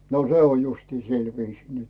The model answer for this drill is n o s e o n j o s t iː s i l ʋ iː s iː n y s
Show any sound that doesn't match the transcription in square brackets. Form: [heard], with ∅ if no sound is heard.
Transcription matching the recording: n o s e o n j [u] s t iː s i l ʋ iː s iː n y [t]

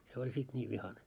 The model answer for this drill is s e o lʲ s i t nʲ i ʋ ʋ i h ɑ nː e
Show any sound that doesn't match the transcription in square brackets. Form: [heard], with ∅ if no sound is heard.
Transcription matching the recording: s e o lʲ s i t nʲ [iː] ʋ ʋ i h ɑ [n] e

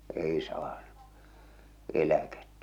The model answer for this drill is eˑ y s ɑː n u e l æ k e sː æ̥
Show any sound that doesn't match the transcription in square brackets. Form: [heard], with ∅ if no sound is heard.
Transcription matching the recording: eˑ [i] s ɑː n u e l æ k e [tː] æ̥

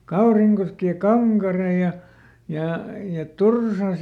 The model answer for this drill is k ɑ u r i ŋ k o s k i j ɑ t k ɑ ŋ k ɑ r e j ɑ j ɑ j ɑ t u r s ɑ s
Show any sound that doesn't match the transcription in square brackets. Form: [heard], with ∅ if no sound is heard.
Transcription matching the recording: k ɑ u r i ŋ k o s k i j ɑ [∅] k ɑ ŋ k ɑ r e j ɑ j ɑ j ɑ t u r s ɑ s

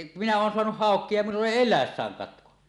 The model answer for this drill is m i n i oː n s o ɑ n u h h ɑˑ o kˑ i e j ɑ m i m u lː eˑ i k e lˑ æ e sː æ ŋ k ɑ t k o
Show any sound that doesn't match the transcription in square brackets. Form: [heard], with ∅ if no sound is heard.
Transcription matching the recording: m i n [æ] oː n s o ɑ n u h h ɑˑ o kˑ i e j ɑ m i [n] u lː eˑ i [∅] e lˑ æ e sː [æː] ŋ k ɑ t k o

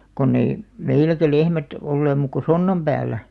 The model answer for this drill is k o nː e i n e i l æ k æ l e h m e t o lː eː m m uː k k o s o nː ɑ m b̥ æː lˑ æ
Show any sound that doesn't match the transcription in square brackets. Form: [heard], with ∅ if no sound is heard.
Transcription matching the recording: k o nː e i [m] e i l æ k æ l e h m [æ] t o lː eː m m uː k k o s o nː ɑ m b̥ æː lˑ æ

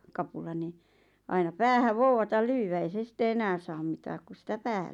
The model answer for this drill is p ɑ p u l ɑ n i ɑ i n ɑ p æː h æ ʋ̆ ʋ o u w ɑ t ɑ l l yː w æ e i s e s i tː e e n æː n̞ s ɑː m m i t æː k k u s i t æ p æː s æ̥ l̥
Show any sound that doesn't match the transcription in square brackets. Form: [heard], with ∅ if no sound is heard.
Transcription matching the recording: [k] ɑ p u l ɑ n i ɑ i n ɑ p æː h æ ʋ̆ ʋ o u w ɑ t ɑ l l yː w æ e i s e s i tː e e n æː n̞ s ɑː m m i t æː k k u s i t æ p æː [h] æ̥ l̥

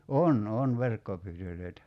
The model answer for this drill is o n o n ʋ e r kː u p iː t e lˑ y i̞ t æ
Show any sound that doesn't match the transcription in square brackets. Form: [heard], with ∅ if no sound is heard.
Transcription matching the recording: o n o n ʋ e r kː [o] p [yː] t [ø] lˑ [ø] i̞ t æ

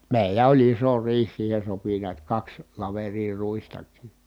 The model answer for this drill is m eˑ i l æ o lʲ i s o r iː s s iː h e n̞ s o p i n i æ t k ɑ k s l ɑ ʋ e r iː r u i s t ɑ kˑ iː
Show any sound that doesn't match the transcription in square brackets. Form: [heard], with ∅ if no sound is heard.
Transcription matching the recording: m eˑ i l æ o lʲ i s o r iː [h] s iː h e n̞ s o p i n i æ t k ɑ k s l ɑ ʋ e r iː r u i s t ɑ kˑ iː

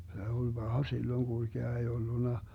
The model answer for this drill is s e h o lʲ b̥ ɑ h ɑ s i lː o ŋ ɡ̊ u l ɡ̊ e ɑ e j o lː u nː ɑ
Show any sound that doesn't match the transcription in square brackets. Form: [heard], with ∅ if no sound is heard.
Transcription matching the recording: s e [∅] o lʲ b̥ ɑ h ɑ s i lː o ŋ ɡ̊ u l ɡ̊ e ɑ e [i] o lː u [n] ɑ

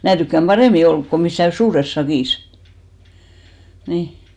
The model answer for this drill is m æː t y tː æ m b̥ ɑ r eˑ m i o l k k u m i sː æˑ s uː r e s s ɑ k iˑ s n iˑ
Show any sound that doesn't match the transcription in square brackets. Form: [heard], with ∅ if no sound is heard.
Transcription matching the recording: m æː t y [kː] æ m b̥ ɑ r eˑ m i o l k k [o] m i sː æˑ s uː r e s s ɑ k iˑ s n iˑ

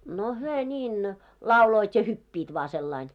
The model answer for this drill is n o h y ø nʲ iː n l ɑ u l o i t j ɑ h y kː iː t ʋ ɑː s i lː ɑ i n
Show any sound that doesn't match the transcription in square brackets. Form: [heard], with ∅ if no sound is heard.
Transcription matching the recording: n o h y ø nʲ iː n l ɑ u l o i t j ɑ h y [pː] iː t ʋ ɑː s [e] lː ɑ i n

